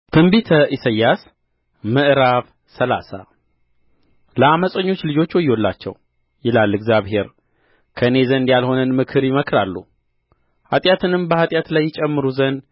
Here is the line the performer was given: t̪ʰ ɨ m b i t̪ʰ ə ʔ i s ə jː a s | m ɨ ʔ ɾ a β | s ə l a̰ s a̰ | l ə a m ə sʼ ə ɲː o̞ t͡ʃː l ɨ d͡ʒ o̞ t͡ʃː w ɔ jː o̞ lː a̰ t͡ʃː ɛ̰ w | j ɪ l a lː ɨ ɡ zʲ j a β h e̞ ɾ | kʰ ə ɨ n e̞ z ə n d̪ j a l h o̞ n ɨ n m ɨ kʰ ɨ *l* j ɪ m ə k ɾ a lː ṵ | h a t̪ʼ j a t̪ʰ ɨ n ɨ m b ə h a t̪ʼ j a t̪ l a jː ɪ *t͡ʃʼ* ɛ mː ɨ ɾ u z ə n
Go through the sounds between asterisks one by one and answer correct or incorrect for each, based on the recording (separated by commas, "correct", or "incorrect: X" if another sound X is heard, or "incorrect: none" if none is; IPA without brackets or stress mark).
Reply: incorrect: ɾ, correct